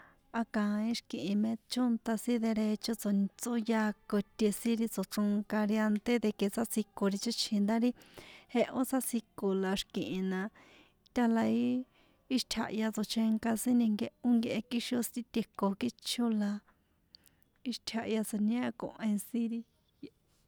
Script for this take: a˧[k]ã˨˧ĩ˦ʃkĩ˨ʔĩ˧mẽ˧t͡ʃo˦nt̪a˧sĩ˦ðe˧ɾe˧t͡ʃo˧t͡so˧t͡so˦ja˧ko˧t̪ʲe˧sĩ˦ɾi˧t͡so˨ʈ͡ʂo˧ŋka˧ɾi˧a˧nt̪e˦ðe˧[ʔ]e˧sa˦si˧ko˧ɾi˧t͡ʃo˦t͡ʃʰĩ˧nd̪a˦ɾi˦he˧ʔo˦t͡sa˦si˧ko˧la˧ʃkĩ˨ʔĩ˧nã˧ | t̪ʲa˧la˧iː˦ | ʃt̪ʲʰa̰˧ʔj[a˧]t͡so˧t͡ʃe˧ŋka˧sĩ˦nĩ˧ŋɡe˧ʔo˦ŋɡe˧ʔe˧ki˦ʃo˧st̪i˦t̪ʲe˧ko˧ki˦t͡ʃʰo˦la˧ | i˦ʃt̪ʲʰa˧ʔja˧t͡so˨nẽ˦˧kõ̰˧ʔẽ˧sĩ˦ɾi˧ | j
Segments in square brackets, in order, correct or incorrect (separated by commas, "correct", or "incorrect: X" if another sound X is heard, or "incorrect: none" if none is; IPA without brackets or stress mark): correct, incorrect: k, correct